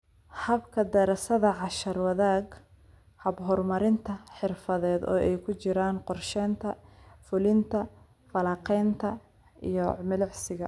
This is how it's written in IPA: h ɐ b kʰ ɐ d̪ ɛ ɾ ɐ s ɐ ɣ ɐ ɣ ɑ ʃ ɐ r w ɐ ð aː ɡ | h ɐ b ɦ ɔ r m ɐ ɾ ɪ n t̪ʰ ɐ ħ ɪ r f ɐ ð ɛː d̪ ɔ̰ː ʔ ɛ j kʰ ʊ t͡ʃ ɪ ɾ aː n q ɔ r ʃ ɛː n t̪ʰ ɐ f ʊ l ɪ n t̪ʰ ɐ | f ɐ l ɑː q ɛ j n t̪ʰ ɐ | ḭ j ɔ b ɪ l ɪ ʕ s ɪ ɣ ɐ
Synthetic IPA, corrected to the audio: h ɐ b kʰ ɐ d̪ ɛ ɾ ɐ s ɐ ð ɐ ʕ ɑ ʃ ɐ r w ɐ ð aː ɡ | h ɐ b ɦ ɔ r m ɐ ɾ ɪ n t̪ʰ ɐ ħ ɪ r f ɐ ð ɛː d̪ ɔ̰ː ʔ ɛ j kʰ ʊ t͡ʃ ɪ ɾ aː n q ɔ r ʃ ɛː n t̪ʰ ɐ f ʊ l ɪ n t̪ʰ ɐ | f ɐ l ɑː q ɛ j n t̪ʰ ɐ | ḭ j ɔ m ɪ l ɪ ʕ s ɪ ɣ ɐ